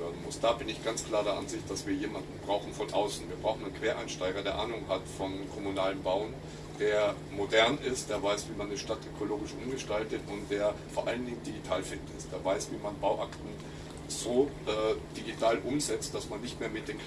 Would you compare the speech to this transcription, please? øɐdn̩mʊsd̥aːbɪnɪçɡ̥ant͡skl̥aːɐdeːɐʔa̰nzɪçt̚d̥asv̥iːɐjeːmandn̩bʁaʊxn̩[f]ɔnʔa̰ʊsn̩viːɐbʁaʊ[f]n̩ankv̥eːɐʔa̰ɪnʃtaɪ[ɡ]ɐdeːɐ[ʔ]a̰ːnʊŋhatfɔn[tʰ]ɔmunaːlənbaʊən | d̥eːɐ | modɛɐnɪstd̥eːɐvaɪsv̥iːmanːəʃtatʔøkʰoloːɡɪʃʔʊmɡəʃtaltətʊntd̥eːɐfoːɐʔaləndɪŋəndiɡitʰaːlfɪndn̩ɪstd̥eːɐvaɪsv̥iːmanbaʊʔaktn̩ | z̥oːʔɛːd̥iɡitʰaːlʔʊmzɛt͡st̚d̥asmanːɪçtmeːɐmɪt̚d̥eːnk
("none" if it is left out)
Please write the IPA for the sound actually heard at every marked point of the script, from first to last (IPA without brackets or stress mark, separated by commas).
f, x, ɡ, ʔ, kʰ